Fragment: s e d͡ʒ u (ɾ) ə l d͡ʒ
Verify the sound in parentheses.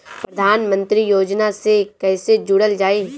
incorrect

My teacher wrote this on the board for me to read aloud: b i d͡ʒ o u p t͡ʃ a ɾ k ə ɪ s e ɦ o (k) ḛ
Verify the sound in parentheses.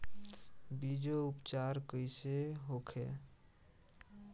incorrect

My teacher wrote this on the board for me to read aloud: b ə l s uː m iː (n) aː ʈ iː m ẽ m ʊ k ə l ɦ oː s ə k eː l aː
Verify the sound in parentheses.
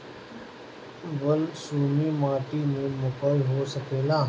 incorrect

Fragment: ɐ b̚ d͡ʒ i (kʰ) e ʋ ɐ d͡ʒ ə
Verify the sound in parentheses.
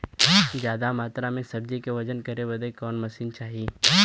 incorrect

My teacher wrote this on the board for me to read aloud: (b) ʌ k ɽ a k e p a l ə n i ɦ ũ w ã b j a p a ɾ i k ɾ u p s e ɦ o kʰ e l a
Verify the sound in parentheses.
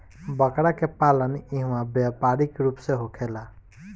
correct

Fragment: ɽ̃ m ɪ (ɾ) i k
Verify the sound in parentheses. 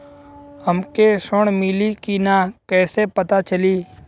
incorrect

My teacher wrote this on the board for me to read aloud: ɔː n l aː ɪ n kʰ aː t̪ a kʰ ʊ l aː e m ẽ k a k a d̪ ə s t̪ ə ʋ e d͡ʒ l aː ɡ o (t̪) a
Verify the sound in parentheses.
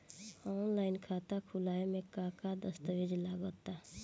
correct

